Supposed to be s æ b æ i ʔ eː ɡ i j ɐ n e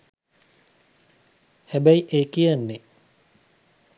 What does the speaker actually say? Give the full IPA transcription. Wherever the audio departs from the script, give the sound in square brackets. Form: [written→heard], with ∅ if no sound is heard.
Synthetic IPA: [s→h] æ b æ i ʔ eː [ɡ→k] i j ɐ [n→nː] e